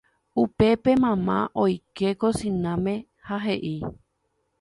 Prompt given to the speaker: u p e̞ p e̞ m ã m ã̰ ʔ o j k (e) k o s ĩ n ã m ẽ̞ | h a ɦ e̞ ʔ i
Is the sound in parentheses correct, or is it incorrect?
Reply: correct